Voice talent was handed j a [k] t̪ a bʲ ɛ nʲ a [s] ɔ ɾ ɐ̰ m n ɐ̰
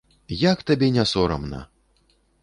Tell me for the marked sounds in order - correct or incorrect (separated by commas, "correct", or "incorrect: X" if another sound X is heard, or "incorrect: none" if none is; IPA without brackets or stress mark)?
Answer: correct, correct